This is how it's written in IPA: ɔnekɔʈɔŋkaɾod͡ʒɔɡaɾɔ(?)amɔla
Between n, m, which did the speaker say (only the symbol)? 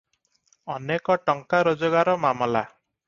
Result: m